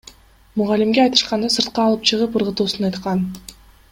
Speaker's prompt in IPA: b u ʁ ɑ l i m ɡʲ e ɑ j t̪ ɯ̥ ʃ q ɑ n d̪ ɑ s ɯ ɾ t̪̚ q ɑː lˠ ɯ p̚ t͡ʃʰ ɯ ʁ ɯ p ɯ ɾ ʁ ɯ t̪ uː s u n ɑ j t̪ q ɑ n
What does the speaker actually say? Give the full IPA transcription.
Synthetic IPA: m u ʁ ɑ l i m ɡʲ e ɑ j t̪ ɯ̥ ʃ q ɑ n d̪ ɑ s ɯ ɾ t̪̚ q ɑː lˠ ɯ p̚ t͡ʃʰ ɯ ʁ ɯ p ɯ ɾ ʁ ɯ t̪ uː s u n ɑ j t̪ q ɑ n